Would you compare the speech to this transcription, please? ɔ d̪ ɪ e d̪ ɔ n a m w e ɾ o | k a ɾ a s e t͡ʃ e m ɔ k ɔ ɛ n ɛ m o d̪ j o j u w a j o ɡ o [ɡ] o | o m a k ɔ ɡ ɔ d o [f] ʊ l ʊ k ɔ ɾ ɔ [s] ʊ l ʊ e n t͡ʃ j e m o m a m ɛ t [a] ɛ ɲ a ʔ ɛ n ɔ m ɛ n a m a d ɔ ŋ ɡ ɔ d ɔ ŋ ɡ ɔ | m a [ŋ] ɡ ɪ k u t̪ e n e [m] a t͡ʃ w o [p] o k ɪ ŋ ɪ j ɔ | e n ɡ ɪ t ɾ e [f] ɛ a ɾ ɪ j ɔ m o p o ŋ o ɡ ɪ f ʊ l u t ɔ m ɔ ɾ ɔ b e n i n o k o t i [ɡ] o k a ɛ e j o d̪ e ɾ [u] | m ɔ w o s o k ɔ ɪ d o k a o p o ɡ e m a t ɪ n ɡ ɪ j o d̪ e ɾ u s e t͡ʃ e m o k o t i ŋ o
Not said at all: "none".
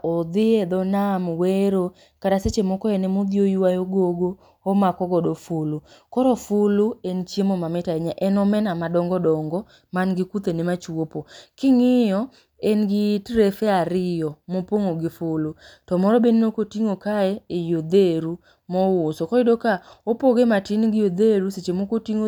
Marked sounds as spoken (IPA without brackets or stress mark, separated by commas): ɡ, f, f, a, n, m, p, f, ŋ, u